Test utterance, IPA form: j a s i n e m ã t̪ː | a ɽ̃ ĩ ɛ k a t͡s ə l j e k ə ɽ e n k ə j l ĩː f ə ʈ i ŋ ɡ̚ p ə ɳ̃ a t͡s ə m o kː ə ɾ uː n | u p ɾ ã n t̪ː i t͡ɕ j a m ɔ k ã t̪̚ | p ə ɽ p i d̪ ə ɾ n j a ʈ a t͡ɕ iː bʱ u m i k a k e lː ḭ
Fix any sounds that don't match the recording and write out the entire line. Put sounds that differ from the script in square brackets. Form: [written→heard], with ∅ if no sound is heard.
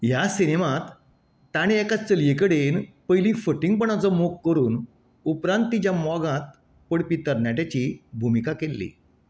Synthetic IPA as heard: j a s i n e m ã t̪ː | a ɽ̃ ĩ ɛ k a t͡s ə l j e k ə ɽ e n [k→p] ə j l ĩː f ə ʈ i ŋ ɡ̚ p ə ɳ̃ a t͡s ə m o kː ə ɾ uː n | u p ɾ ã n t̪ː i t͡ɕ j a m ɔ [k→ɡ] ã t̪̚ | p ə ɽ p i [d̪→t̪] ə ɾ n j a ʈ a t͡ɕ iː bʱ u m i k a k e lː ḭ

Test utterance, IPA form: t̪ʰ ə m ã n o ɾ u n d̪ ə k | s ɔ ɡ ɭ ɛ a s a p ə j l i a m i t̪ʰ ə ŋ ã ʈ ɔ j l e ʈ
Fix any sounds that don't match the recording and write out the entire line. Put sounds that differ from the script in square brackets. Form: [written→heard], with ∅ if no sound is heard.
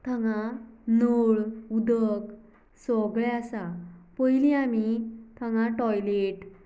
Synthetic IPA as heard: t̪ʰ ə [m→ŋ] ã n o [ɾ→ɭ] u [n→∅] d̪ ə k | s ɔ ɡ ɭ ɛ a s a p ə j l i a m i t̪ʰ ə ŋ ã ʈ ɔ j l e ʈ

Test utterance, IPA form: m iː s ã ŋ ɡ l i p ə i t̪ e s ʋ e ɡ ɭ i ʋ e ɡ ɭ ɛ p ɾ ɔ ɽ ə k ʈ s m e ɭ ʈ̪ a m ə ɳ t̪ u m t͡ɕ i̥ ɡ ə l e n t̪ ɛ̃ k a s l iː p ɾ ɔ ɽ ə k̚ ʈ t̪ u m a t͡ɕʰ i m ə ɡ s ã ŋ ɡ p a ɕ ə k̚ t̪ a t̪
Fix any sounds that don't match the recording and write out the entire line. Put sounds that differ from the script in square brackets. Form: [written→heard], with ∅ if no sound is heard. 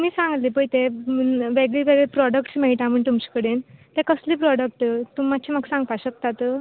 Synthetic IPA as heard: m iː s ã ŋ ɡ l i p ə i t̪ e [s→∅] ʋ e ɡ ɭ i ʋ e ɡ ɭ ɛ p ɾ ɔ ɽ ə k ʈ s m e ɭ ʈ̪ a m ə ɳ t̪ u m t͡ɕ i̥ [ɡ→k] ə [l→ɽ] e n t̪ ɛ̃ k [a→ə] s l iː p ɾ ɔ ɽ ə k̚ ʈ t̪ u m a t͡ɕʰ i m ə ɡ s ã ŋ ɡ p a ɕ ə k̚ t̪ a t̪

